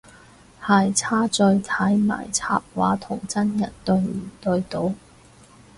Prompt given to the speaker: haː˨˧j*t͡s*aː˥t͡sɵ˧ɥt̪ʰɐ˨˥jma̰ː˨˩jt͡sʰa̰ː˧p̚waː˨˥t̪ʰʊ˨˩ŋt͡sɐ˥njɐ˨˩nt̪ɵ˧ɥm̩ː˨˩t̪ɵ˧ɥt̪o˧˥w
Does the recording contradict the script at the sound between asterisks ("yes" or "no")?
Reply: yes